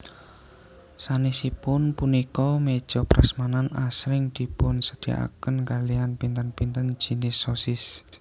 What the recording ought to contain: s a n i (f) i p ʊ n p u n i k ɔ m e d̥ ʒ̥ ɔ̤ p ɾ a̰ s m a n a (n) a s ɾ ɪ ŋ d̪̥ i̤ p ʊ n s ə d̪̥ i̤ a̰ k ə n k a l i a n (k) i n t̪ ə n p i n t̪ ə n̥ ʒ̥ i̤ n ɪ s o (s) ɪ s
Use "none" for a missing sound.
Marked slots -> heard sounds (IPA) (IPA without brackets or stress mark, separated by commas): s, n, p, s